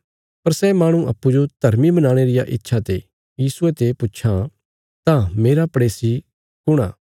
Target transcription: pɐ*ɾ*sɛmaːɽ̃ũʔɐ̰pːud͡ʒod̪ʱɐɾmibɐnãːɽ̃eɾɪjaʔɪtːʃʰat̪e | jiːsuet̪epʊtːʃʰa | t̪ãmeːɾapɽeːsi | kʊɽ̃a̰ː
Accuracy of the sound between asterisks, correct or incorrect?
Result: correct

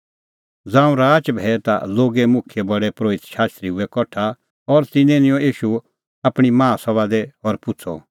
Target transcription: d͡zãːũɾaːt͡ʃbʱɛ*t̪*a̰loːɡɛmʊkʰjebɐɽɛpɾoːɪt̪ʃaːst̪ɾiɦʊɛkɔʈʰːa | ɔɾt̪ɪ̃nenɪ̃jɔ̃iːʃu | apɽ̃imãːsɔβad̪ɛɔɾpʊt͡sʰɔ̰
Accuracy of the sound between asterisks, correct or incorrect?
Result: correct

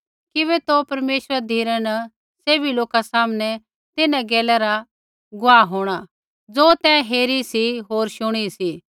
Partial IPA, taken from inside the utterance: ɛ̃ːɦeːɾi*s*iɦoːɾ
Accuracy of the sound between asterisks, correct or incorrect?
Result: correct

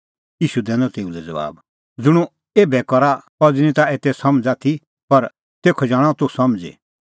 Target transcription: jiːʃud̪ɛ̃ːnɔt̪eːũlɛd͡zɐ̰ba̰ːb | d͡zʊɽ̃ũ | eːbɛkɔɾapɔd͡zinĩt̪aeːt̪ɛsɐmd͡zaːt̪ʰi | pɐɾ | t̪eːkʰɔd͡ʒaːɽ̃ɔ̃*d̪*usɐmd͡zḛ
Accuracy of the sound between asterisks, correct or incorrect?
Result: incorrect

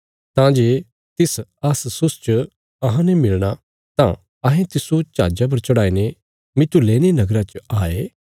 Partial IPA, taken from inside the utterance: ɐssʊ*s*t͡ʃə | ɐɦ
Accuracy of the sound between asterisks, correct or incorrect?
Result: correct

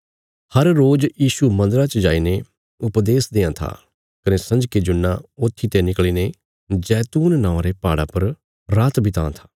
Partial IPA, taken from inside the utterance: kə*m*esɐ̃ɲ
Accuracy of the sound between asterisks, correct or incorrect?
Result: incorrect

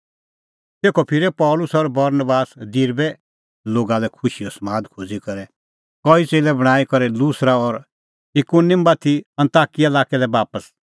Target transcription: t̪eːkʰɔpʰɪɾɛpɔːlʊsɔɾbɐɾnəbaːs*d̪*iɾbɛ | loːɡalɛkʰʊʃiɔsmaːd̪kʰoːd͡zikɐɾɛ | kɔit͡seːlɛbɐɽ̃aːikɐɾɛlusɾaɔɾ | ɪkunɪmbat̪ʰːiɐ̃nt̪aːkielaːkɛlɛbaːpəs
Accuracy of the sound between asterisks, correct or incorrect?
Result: correct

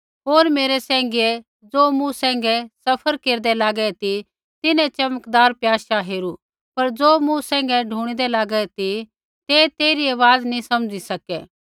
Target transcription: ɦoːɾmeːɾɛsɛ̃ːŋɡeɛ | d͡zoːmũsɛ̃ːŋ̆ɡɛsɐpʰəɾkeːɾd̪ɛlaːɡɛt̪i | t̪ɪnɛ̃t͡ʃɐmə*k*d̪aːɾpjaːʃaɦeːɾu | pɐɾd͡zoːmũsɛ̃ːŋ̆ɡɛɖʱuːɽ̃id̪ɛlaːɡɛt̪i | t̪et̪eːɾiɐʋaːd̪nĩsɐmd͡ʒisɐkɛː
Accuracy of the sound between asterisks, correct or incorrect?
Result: correct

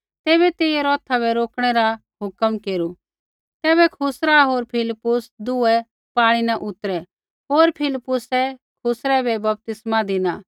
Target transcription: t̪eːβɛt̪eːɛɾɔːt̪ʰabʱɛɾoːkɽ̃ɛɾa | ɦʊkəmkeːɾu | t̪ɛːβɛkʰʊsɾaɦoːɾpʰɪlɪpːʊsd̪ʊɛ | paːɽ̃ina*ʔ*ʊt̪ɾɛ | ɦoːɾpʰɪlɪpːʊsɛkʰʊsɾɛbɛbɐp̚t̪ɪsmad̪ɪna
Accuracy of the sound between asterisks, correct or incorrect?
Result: correct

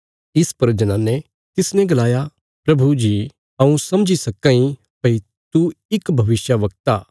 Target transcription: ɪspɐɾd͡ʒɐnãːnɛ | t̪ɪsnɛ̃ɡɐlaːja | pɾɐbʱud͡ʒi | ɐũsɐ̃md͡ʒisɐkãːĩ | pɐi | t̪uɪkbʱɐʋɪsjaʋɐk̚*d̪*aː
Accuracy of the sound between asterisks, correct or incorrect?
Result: incorrect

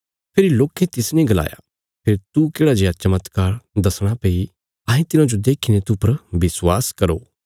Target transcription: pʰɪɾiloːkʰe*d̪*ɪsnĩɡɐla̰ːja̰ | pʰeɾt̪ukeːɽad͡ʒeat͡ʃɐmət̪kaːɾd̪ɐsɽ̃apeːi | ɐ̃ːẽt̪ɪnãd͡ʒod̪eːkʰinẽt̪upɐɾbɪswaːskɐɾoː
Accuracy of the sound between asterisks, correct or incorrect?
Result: incorrect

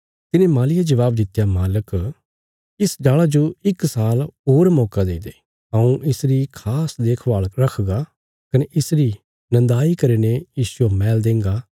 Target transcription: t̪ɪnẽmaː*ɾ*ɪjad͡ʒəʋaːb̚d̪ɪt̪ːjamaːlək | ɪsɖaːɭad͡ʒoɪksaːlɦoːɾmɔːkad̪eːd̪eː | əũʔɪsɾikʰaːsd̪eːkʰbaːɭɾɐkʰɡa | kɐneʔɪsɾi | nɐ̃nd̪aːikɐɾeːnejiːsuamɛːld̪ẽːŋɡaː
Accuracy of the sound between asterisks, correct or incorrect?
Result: incorrect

